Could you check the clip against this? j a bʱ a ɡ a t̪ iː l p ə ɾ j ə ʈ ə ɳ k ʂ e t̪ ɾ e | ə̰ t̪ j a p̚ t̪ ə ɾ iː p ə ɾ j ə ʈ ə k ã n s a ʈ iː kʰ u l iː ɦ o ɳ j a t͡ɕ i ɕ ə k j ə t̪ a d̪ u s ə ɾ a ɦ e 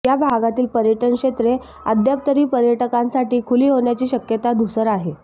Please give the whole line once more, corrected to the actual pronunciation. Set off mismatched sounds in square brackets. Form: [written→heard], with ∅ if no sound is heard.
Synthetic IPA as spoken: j a bʱ a ɡ a t̪ iː l p ə ɾ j ə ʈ ə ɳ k ʂ e t̪ ɾ e | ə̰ [t̪→d̪] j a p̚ t̪ ə ɾ iː p ə ɾ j ə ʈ ə k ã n s a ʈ iː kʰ u l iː ɦ o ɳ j a t͡ɕ [i→iː] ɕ ə k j ə t̪ a d̪ u s ə ɾ a ɦ e